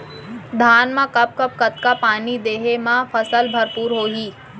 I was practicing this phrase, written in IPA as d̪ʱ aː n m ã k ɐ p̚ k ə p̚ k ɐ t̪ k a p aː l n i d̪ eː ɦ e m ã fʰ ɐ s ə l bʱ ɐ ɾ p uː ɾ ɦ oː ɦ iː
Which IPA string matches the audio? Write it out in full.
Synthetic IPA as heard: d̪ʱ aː n m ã k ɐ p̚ k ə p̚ k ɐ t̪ k a p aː n i d̪ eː ɦ e m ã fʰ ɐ s ə l bʱ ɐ ɾ p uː ɾ ɦ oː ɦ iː